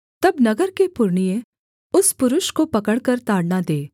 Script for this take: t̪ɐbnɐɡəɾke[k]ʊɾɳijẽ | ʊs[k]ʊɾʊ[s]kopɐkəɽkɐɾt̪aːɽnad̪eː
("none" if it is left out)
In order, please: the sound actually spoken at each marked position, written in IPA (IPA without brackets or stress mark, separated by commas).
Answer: p, p, ʃ